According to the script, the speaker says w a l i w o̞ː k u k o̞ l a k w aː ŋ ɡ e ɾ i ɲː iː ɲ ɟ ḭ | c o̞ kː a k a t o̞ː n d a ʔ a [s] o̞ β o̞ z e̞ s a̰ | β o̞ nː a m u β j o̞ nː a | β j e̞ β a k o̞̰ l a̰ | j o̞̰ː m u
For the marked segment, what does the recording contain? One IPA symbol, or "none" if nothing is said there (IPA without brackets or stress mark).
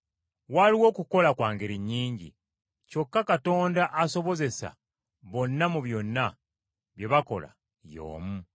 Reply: s